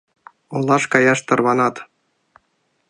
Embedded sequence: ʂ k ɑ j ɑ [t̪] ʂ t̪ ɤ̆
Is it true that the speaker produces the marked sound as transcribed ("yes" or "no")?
no